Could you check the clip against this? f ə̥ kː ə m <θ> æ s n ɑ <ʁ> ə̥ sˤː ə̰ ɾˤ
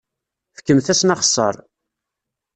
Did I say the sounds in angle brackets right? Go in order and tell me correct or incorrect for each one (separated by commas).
correct, incorrect